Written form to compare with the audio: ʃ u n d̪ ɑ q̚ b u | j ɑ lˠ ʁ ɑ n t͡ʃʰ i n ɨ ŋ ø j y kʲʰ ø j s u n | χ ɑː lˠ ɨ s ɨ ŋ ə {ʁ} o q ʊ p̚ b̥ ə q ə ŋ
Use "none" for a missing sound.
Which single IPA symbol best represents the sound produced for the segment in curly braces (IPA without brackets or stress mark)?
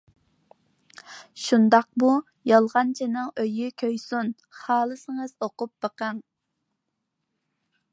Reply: z